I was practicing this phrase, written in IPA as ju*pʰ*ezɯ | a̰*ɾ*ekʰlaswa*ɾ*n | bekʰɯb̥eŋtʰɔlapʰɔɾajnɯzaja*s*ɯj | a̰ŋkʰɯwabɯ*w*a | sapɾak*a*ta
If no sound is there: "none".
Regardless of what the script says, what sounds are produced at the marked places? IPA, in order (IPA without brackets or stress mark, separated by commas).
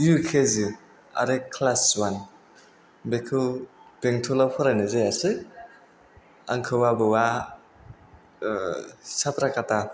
kʰ, ɾ, none, s, w, a